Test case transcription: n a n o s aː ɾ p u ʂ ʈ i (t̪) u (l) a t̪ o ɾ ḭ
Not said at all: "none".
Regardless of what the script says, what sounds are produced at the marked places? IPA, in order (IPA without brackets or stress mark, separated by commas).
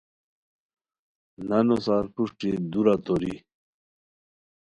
d̪, ɾ